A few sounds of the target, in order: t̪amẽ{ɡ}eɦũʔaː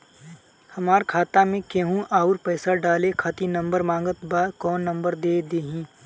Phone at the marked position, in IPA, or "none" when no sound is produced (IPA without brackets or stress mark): k